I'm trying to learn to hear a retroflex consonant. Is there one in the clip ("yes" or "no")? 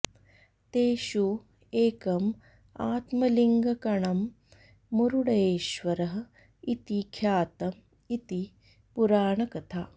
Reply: yes